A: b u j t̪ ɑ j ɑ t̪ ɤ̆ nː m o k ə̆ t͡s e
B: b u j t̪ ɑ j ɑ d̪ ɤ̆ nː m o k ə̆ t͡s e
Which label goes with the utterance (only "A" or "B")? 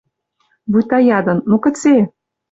B